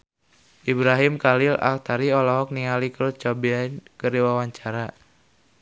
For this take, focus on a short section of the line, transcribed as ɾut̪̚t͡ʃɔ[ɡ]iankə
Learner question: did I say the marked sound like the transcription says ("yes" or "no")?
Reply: no